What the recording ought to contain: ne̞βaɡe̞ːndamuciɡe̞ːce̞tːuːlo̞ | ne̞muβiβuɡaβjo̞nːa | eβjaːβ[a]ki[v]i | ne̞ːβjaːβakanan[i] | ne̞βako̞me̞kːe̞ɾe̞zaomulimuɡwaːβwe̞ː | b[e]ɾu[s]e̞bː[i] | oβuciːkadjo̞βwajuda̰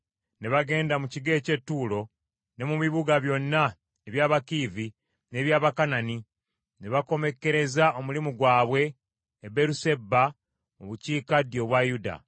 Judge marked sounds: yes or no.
yes, yes, yes, yes, yes, no

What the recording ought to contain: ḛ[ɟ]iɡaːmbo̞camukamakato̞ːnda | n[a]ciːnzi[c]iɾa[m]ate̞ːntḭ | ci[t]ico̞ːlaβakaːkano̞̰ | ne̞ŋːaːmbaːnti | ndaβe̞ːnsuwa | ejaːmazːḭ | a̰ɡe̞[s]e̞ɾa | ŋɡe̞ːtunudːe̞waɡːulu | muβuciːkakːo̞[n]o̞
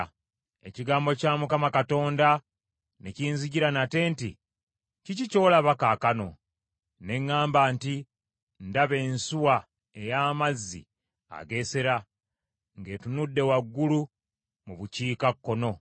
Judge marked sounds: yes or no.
no, no, no, no, no, yes, yes

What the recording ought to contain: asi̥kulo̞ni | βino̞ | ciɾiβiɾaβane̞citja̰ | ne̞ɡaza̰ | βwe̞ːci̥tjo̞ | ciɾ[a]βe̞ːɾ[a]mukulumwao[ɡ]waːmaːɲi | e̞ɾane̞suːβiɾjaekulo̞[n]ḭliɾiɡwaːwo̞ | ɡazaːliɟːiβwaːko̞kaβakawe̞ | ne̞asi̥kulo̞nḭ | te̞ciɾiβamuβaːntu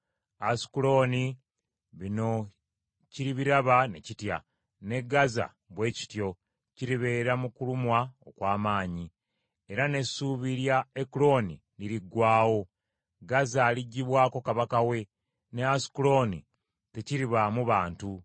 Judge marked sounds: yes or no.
no, yes, no, yes

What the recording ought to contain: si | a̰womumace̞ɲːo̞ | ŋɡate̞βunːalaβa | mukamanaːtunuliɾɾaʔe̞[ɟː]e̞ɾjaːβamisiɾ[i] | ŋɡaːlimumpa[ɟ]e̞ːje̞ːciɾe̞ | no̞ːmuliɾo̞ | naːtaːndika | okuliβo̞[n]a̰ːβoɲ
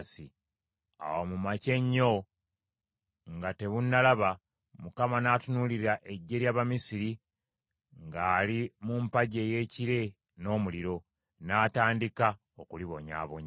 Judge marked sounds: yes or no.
yes, yes, yes, no

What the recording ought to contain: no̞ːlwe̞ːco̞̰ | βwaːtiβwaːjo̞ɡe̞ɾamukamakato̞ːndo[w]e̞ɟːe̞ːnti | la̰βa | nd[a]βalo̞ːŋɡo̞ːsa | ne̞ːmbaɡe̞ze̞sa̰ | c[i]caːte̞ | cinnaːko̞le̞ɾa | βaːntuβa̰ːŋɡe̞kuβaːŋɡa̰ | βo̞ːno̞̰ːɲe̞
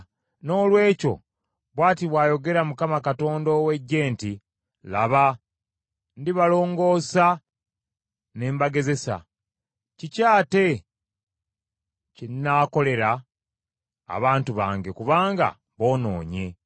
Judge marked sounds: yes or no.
yes, no, yes

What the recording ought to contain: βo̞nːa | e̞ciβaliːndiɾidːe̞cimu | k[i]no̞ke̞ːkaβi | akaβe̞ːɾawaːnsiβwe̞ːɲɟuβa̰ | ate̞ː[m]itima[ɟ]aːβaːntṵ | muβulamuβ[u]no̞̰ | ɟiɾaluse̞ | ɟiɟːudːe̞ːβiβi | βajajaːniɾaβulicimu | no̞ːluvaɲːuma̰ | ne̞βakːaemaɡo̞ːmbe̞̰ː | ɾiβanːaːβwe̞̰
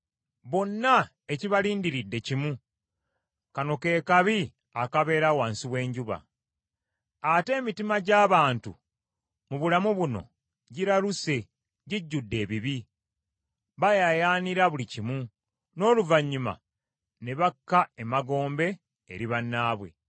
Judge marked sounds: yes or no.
no, yes, yes, yes

